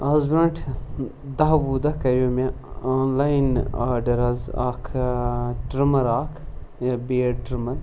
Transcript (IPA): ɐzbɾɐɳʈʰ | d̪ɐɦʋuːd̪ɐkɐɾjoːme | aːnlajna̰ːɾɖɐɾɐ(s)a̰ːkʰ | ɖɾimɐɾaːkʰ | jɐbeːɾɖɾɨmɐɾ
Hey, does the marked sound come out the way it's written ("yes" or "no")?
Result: no